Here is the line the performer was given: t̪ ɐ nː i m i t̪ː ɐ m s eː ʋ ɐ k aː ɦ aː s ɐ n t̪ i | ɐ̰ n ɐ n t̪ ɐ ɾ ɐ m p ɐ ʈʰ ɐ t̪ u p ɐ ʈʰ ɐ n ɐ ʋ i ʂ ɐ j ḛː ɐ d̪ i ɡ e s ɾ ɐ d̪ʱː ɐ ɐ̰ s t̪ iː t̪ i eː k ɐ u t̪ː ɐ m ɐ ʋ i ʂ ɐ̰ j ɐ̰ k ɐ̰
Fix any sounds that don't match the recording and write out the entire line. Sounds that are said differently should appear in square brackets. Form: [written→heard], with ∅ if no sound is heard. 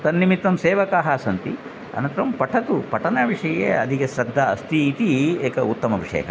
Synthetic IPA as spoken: t̪ ɐ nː i m i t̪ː ɐ m s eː ʋ ɐ k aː ɦ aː s ɐ n t̪ i | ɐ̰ n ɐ n t̪ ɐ ɾ ɐ m p ɐ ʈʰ ɐ t̪ u p ɐ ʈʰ ɐ n ɐ ʋ i ʂ ɐ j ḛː ɐ d̪ i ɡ e s ɾ ɐ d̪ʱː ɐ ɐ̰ s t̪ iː t̪ i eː k ɐ u t̪ː ɐ m ɐ ʋ i ʂ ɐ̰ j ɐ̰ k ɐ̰

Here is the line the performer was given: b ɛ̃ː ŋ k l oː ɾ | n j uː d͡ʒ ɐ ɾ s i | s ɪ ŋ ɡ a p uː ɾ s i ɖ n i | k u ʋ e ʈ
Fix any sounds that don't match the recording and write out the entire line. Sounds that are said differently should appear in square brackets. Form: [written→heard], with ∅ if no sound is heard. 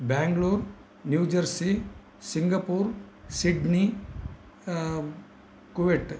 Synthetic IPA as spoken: b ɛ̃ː ŋ [k→ɡ] l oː ɾ | n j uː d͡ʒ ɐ ɾ s i | s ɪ ŋ ɡ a p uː ɾ s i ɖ n i | k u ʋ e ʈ

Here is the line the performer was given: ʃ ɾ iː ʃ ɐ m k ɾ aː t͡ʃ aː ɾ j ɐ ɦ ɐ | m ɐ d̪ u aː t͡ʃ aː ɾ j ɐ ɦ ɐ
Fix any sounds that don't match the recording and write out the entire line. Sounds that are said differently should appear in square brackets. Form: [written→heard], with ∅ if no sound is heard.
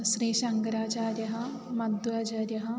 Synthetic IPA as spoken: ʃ ɾ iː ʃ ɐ [m→ŋ] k ɾ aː t͡ʃ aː ɾ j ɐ ɦ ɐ | m ɐ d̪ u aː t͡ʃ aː ɾ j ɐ ɦ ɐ

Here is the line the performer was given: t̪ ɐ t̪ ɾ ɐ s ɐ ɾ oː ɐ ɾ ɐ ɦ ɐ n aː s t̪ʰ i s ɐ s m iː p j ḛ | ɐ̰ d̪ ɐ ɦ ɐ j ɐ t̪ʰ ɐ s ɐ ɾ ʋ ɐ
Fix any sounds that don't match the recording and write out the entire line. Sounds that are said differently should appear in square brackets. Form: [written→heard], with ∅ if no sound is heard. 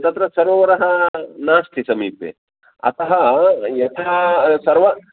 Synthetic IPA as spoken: t̪ ɐ t̪ ɾ ɐ s ɐ ɾ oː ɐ ɾ ɐ ɦ ɐ n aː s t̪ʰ i s ɐ [s→∅] m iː p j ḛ | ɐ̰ [d̪→t̪] ɐ ɦ ɐ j ɐ t̪ʰ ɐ s ɐ ɾ ʋ ɐ

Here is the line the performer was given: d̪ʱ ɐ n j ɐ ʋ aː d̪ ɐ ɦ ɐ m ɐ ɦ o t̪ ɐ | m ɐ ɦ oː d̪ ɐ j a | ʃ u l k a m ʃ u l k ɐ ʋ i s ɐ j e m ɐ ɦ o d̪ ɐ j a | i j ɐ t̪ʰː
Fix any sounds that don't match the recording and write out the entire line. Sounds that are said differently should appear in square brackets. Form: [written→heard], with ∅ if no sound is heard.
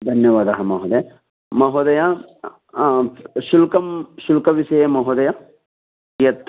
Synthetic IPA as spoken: d̪ʱ ɐ n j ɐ ʋ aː d̪ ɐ ɦ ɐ m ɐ ɦ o [t̪→d̪] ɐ | m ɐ ɦ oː d̪ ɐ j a | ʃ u l k [a→ɐ] m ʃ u l k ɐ ʋ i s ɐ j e m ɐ ɦ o d̪ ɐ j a | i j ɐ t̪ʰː

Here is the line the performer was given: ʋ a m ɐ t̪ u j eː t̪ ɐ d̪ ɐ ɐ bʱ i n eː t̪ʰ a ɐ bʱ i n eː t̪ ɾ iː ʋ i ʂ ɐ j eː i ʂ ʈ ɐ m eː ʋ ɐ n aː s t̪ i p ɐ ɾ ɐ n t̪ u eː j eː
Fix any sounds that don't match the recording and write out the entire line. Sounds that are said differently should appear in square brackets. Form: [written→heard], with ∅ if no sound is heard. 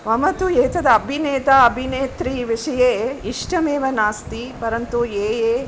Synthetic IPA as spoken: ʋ [a→ɐ] m ɐ t̪ u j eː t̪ ɐ d̪ ɐ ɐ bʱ i n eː [t̪ʰ→t̪] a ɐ bʱ i n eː t̪ ɾ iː ʋ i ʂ ɐ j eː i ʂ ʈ ɐ m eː ʋ ɐ n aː s t̪ i p ɐ ɾ ɐ n t̪ u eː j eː

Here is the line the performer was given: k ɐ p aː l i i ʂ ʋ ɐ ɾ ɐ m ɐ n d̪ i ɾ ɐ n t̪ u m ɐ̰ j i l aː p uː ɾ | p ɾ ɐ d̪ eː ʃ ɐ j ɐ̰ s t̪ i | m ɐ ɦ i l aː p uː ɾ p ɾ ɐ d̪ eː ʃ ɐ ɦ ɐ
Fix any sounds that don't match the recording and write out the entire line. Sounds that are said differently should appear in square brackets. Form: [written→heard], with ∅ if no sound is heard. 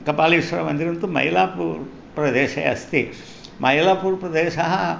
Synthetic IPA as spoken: k ɐ p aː l i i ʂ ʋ ɐ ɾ ɐ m ɐ n d̪ i ɾ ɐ n t̪ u m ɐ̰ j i l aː p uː ɾ | p ɾ ɐ d̪ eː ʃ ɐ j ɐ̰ s t̪ i | m ɐ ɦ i l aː p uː ɾ p ɾ ɐ d̪ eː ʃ ɐ ɦ ɐ

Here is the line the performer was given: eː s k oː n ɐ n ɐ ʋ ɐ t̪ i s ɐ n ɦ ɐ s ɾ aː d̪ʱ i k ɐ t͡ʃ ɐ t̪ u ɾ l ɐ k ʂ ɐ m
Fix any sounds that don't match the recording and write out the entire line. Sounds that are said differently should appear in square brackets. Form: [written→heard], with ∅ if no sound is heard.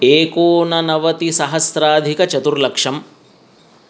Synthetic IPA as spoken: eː [s→∅] k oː n ɐ n ɐ ʋ ɐ t̪ i s ɐ [n→∅] ɦ ɐ s ɾ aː d̪ʱ i k ɐ t͡ʃ ɐ t̪ u ɾ l ɐ k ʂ ɐ m

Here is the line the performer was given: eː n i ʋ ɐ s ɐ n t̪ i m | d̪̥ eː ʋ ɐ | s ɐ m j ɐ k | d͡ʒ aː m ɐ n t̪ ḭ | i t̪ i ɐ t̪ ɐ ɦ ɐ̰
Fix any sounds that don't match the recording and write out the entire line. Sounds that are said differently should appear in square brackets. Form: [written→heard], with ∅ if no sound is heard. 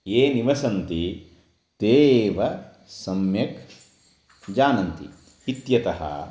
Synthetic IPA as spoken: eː n i ʋ ɐ s ɐ n t̪ i [m→∅] | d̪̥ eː ʋ ɐ | s ɐ m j ɐ k | d͡ʒ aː [m→n] ɐ n t̪ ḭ | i t̪ [i→j] ɐ t̪ ɐ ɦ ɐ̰

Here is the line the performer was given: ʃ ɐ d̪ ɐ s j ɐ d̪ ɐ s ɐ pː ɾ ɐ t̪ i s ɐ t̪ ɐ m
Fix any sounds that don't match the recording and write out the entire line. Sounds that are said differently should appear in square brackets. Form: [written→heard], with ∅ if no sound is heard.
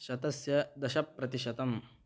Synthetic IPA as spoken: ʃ ɐ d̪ ɐ s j ɐ d̪ ɐ [s→ʃ] ɐ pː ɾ ɐ t̪ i [s→ʃ] ɐ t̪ ɐ m

